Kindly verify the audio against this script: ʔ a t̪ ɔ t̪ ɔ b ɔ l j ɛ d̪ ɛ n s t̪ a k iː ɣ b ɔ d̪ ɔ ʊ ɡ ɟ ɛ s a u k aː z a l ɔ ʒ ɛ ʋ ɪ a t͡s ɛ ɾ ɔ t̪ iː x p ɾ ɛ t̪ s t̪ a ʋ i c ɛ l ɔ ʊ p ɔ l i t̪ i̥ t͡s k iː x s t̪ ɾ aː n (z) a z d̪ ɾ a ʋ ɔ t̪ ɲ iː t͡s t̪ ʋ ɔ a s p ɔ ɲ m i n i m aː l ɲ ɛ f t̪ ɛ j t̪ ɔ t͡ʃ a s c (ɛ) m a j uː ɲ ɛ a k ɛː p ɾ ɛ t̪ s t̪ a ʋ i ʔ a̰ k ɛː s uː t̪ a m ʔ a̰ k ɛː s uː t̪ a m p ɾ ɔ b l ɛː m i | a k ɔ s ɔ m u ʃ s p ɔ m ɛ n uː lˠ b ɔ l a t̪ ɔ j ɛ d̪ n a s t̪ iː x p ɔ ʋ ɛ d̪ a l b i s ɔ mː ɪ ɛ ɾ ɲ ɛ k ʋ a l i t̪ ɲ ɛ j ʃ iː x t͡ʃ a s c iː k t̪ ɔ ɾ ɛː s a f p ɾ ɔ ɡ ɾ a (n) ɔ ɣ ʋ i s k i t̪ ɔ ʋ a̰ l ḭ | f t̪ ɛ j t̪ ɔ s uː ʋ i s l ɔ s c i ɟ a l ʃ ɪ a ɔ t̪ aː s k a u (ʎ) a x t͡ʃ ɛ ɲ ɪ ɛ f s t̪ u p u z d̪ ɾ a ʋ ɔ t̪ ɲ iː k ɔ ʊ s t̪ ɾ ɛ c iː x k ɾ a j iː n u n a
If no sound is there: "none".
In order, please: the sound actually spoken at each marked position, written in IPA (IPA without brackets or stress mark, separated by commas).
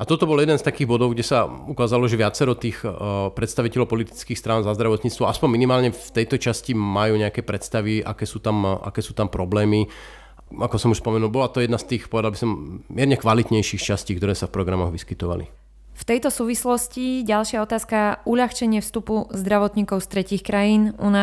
z, i, m, ʎ